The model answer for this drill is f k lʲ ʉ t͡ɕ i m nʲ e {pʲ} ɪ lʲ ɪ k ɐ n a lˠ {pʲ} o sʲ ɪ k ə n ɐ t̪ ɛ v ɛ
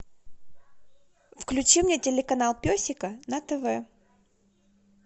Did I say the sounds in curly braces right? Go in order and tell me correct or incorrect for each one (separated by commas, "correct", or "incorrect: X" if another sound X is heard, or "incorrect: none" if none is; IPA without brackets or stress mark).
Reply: incorrect: tʲ, correct